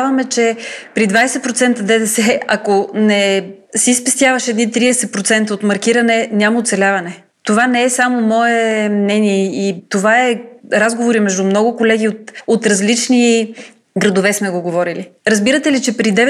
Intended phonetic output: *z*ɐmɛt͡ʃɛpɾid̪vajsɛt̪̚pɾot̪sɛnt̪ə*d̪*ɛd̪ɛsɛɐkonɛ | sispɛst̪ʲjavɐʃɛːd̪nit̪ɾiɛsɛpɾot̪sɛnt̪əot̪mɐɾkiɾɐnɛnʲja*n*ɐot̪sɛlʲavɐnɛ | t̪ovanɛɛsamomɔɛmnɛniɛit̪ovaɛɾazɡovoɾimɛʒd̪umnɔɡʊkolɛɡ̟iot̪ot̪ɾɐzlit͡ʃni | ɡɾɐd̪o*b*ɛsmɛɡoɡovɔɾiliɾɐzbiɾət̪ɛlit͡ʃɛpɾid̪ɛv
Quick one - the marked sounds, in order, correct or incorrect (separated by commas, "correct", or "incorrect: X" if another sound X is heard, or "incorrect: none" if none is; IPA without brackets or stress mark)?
incorrect: v, correct, incorrect: m, incorrect: v